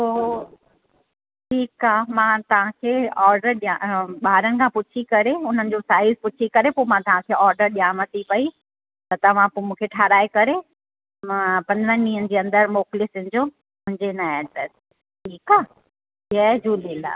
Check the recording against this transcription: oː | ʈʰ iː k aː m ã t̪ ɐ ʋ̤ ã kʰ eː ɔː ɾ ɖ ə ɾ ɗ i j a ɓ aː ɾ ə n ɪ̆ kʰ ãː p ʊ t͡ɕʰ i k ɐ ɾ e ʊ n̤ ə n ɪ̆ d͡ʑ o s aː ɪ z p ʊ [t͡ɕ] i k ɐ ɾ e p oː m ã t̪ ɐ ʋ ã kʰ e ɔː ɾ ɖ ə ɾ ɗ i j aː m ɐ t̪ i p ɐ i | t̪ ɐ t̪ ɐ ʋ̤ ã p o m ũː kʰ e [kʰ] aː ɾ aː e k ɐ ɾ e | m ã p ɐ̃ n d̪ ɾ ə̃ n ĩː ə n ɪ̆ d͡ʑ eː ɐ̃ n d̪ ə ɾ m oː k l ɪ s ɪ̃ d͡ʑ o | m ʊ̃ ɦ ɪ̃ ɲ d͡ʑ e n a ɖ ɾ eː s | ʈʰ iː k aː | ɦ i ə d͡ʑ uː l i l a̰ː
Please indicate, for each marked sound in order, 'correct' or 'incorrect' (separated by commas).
incorrect, incorrect